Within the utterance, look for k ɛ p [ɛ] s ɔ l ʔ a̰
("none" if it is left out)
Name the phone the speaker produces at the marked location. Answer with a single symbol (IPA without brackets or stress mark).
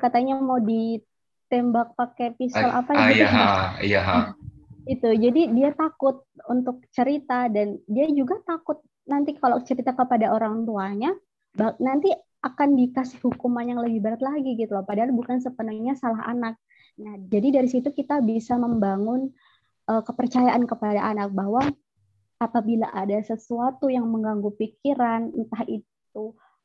i